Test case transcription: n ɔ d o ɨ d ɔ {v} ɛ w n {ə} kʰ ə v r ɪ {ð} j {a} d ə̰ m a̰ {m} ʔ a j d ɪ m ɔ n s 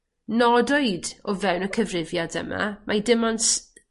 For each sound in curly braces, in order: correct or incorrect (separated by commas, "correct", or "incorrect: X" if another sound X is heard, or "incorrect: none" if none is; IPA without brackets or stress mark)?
correct, correct, incorrect: v, correct, correct